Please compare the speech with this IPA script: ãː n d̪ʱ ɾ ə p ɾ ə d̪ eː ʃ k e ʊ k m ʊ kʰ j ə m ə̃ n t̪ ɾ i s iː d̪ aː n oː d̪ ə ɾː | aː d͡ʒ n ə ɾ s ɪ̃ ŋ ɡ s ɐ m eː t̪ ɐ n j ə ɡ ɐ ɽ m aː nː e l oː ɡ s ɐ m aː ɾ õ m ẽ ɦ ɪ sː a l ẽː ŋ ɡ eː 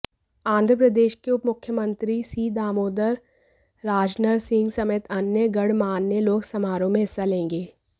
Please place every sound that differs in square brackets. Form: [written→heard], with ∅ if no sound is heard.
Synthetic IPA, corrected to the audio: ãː n d̪ʱ ɾ ə p ɾ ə d̪ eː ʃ k e ʊ [k→p] m ʊ kʰ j ə m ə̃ n t̪ ɾ i s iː d̪ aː [n→m] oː d̪ ə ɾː | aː d͡ʒ n ə ɾ s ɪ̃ ŋ ɡ s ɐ m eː t̪ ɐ n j ə ɡ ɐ ɽ m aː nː e l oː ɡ s ɐ m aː ɾ õ m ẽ ɦ ɪ sː a l ẽː ŋ ɡ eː